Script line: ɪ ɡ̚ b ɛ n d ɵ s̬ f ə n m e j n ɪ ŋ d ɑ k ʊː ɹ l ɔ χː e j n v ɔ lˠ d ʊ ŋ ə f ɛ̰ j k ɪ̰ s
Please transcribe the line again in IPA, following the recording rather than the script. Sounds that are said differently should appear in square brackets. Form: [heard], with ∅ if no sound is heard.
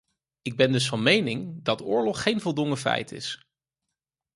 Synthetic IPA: ɪ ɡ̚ b ɛ n d ɵ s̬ f [ɑ] n m e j n ɪ ŋ d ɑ [t] ʊː ɹ l ɔ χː e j n v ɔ lˠ d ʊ ŋ ə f ɛ̰ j [t] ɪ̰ s

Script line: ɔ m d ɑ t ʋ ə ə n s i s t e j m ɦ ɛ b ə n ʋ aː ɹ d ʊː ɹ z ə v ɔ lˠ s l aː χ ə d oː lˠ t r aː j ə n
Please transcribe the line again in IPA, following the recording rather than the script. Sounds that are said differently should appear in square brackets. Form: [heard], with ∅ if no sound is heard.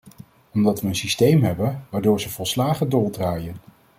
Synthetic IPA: ɔ m d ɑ t ʋ ə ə n s i s t e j m ɦ ɛ b ə n ʋ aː ɹ d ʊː ɹ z ə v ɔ lˠ s l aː χ ə d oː lˠ [d] r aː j ə n

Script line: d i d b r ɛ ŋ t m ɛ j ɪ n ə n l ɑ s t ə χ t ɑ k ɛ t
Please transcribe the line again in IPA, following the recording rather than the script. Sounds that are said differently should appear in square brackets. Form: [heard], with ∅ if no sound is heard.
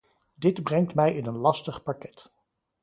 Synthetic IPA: d [ɪ] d b r ɛ ŋ t m ɛ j ɪ n ə n l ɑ s t ə χ [p] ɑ k ɛ t

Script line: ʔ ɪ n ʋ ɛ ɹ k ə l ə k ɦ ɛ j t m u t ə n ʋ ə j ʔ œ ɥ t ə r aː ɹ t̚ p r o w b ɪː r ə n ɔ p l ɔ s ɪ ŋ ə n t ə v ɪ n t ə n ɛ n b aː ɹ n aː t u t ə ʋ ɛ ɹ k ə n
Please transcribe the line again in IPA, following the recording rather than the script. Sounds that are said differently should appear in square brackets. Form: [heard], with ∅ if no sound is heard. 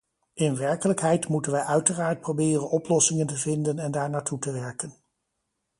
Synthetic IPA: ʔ ɪ n ʋ ɛ ɹ k ə l ə k ɦ ɛ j t m u t ə n ʋ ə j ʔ œ ɥ t ə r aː ɹ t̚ p r o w b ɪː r ə n ɔ p l ɔ s ɪ ŋ ə n t ə v ɪ n [d] ə n ɛ n [d] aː ɹ n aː t u t ə ʋ ɛ ɹ k ə n

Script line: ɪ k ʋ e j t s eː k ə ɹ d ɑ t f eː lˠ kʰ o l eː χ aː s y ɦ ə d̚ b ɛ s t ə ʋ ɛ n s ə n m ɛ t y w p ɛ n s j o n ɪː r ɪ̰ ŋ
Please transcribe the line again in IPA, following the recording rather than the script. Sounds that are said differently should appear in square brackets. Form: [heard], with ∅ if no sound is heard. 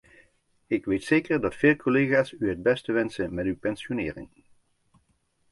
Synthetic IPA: ɪ k ʋ e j t s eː k ə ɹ d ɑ t f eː lˠ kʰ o l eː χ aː s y ɦ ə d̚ b ɛ s t ə ʋ ɛ n s ə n m ɛ t y w p ɛ n s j o n ɪː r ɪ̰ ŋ

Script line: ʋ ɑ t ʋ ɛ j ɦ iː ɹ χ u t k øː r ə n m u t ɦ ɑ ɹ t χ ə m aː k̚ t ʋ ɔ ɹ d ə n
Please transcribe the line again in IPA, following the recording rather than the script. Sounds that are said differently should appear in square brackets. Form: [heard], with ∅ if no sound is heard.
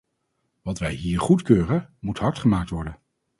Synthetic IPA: ʋ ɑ t ʋ ɛ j ɦ iː ɹ χ u t k øː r ə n m u t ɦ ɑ ɹ t χ ə m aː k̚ t ʋ ɔ ɹ d ə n

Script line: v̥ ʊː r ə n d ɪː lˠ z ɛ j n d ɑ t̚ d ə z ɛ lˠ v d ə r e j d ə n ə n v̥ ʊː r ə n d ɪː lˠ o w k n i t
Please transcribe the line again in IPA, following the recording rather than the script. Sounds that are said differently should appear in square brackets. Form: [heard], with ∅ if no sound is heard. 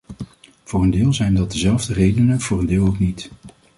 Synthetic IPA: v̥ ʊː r ə n d ɪː lˠ z ɛ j n d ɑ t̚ d ə z ɛ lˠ v d ə r e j d ə n ə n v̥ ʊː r ə n d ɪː lˠ o w k n i t

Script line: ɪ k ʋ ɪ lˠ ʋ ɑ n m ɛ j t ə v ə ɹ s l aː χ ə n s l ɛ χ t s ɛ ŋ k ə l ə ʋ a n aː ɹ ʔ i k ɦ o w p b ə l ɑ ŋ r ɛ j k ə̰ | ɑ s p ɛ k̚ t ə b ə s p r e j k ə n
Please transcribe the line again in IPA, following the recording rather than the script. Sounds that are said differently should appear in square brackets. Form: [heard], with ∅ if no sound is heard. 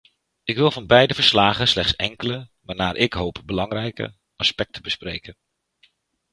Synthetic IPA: ɪ k ʋ ɪ lˠ [v] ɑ n [b] ɛ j [d] ə v ə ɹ s l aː χ ə n s l ɛ χ t s ɛ ŋ k ə l ə ʋ a n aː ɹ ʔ [ɪ] k ɦ o w p b ə l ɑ ŋ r ɛ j k ə̰ | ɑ s p ɛ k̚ t ə b ə s p r e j k ə n

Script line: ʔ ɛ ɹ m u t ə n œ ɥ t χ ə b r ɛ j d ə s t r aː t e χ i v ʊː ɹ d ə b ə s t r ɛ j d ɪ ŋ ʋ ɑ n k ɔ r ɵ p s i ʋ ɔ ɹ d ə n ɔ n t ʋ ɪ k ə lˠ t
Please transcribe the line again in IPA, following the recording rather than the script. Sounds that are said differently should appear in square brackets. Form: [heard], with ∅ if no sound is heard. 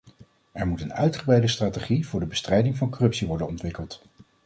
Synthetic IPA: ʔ ɛ ɹ m u t ə n œ ɥ t χ ə b r ɛ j d ə s t r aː t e χ i v ʊː ɹ d ə b ə s t r ɛ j d ɪ ŋ [v] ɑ n k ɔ r ɵ p s i ʋ ɔ ɹ d ə n ɔ n t ʋ ɪ k ə lˠ t

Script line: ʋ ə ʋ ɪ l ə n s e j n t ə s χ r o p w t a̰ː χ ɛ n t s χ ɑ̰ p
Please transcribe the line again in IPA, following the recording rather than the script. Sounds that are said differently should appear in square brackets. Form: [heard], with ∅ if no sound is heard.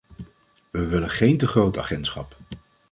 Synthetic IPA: ʋ ə ʋ ɪ l ə n [χ] e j n t ə [∅] χ r o [∅] w t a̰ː χ ɛ n t s χ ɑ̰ p

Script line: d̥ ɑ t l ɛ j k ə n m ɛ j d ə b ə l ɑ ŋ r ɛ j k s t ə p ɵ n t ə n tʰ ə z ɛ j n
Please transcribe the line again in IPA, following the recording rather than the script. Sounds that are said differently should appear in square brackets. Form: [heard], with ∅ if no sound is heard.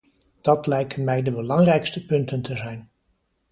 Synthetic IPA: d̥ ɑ t l ɛ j k ə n m ɛ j d ə b ə l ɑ ŋ r ɛ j k s t ə p ɵ n t ə n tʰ ə z ɛ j n

